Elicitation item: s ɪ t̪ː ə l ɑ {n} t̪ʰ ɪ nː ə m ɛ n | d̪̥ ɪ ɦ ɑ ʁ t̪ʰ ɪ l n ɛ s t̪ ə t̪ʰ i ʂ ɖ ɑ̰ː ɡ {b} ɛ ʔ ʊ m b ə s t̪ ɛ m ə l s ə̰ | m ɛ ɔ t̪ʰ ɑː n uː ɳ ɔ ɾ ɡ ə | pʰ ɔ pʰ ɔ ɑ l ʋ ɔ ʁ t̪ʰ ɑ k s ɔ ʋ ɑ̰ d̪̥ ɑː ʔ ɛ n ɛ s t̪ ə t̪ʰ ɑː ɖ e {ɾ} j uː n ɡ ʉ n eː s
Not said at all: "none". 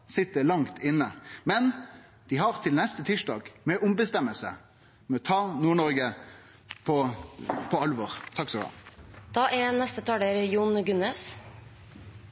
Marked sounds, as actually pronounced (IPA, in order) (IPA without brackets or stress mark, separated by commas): ŋ, m, ɾ